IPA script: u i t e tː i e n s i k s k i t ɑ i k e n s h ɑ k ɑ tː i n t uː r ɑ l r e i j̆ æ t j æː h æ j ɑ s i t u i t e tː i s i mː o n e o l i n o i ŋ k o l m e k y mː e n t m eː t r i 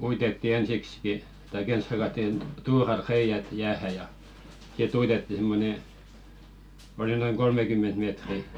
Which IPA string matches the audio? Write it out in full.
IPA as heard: u i t e tː i e n s i k s k i t ɑ i k e n s h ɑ k ɑ tː i n t uː r ɑ l r e i j̆ æ t j æː h æ j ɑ s i t u i t e tː i s i mː o n e o l i n o i ŋ k o l m e k y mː e n t m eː t r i